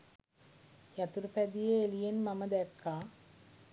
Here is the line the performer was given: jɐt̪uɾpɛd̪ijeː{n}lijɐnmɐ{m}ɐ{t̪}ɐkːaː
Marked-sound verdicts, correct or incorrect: incorrect: none, correct, incorrect: d̪

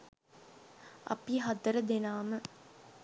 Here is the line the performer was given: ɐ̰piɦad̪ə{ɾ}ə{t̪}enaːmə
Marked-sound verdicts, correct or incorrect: correct, incorrect: d̪

